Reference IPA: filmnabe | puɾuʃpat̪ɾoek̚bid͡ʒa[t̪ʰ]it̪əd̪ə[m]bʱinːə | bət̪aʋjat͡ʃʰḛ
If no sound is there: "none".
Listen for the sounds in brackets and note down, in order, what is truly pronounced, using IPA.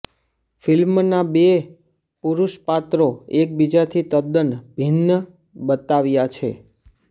t̪ʰ, n

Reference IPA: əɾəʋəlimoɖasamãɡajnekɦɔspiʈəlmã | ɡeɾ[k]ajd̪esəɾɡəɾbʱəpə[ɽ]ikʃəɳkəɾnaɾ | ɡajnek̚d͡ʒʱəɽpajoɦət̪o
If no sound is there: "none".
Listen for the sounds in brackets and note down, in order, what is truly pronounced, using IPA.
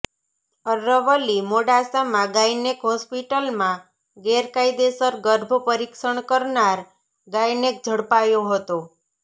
k, ɾ

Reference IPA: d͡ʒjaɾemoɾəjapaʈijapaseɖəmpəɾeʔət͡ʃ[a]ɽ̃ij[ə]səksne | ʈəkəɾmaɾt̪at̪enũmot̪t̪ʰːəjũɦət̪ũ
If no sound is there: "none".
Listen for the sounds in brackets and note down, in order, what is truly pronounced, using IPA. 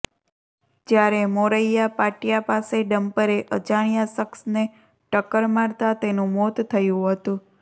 a, a

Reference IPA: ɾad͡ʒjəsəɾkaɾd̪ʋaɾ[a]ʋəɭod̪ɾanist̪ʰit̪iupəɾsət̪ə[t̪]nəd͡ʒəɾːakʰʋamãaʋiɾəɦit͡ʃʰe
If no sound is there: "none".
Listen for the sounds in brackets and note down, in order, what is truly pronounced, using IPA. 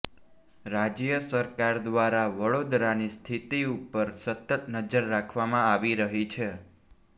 a, t̪

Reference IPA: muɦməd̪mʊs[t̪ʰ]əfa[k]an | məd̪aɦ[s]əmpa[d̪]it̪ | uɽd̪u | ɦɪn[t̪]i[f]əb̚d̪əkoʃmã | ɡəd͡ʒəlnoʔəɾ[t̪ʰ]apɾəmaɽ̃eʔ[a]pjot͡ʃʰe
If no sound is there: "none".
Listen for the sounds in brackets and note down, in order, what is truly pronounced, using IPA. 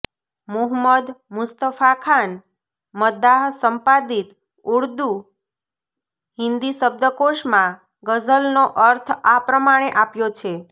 t̪, kʰ, s, d̪, d̪, s, t̪ʰ, a

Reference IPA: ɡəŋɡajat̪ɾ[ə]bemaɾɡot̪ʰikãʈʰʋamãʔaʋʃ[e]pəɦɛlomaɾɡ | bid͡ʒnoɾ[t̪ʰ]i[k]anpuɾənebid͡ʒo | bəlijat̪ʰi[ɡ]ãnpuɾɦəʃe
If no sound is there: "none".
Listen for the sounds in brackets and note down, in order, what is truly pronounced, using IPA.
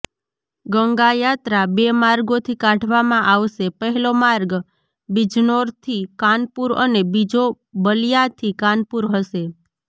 a, e, t̪ʰ, k, k

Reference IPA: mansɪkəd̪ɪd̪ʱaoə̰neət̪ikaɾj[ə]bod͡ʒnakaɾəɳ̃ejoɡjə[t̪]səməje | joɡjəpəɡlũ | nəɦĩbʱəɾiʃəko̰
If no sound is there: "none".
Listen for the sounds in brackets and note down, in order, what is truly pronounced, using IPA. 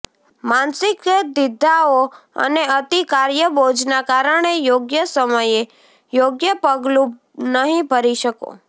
ə, none

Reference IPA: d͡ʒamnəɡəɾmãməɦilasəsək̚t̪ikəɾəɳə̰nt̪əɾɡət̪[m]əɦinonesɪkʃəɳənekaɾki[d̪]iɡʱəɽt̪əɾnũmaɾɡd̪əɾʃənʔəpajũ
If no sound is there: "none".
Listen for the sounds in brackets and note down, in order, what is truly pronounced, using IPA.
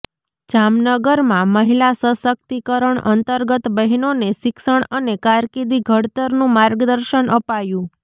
b, d̪

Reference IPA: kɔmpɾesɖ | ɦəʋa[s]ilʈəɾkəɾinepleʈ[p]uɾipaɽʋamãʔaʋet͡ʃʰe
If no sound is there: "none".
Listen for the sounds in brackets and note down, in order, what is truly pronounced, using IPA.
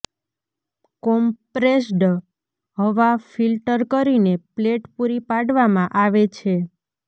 f, p

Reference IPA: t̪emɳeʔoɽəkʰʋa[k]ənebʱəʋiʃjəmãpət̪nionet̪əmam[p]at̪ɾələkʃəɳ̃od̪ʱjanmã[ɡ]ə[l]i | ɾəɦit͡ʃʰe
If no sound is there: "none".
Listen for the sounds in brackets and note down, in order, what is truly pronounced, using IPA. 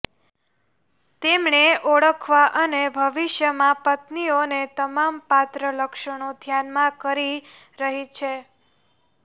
ʔ, p, k, ɾ

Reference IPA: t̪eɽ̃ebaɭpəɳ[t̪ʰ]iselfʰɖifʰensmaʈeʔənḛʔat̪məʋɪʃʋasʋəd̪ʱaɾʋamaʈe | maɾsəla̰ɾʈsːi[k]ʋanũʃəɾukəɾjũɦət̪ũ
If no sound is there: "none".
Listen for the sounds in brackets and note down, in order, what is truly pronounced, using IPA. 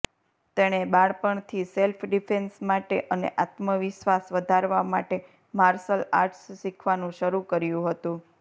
t̪ʰ, kʰ

